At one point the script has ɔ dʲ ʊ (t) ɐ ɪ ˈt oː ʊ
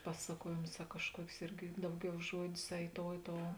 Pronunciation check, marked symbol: incorrect: s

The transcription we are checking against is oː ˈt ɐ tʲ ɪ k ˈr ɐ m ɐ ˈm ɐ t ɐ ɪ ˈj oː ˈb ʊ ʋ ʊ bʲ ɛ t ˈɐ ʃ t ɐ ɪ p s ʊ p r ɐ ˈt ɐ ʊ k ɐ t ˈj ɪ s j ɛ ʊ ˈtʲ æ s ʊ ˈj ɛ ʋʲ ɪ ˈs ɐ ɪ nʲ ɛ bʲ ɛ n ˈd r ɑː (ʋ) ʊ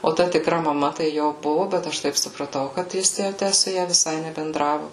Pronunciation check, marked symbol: correct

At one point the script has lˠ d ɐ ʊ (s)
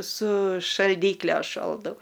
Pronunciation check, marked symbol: incorrect: none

